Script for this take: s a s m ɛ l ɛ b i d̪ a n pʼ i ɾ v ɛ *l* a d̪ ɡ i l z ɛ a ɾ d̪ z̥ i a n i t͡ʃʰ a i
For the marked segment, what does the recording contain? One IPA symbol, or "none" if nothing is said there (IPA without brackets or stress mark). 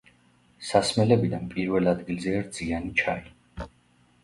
l